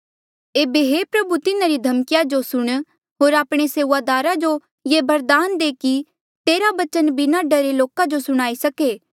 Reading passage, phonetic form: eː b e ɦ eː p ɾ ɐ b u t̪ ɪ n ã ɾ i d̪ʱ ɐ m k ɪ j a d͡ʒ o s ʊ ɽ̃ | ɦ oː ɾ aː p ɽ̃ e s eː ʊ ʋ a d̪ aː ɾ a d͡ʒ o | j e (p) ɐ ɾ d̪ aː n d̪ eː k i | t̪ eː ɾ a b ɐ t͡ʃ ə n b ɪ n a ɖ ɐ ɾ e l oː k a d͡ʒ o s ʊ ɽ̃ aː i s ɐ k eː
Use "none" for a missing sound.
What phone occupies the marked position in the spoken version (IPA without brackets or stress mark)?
b